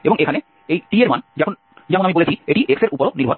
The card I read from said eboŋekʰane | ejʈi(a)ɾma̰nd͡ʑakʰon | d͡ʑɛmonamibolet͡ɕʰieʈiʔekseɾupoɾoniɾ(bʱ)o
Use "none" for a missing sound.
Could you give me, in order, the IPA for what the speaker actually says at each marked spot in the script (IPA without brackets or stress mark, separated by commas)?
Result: e, bʱ